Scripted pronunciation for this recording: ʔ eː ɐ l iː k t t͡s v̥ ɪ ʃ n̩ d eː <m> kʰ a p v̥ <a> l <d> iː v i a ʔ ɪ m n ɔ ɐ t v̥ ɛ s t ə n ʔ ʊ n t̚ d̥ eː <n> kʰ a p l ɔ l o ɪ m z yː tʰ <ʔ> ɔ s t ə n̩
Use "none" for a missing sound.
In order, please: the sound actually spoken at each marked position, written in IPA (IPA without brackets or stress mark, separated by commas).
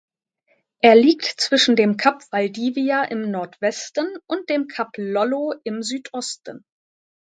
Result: m, a, d, m, ʔ